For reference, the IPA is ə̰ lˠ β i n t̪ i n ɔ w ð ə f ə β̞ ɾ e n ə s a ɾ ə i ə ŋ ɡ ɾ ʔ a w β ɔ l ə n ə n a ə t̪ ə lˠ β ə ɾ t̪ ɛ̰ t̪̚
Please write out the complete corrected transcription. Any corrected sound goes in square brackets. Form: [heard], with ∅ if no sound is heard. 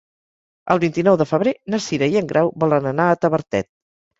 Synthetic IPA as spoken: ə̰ lˠ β i n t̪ i n ɔ w ð ə f ə β̞ ɾ e n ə s [i] ɾ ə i ə ŋ ɡ ɾ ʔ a w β ɔ l ə n ə n a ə t̪ ə [∅] β ə ɾ t̪ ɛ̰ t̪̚